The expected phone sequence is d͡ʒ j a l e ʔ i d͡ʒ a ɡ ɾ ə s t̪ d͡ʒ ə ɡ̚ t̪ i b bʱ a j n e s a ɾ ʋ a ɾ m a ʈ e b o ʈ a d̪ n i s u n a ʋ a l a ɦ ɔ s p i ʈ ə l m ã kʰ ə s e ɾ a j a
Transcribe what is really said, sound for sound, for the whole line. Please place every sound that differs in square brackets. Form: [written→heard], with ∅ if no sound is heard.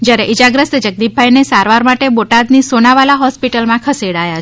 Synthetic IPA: d͡ʒ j a [l→ɾ] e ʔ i d͡ʒ a ɡ ɾ ə s t̪ d͡ʒ ə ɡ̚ [t̪→d̪] i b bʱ a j n e s a ɾ ʋ a ɾ m a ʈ e b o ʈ a d̪ n i s [u→o] n a ʋ a l a ɦ ɔ s p i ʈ ə l m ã kʰ ə s e [ɾ→ɽ] a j a